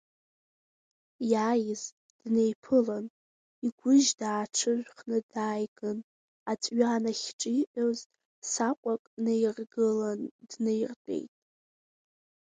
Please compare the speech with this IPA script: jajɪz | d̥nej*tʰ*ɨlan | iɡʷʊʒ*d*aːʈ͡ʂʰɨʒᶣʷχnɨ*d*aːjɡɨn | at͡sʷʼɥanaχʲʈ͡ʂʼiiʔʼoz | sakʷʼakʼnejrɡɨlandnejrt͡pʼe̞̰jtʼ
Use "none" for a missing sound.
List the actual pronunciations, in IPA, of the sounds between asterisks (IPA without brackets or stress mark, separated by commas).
pʰ, d, d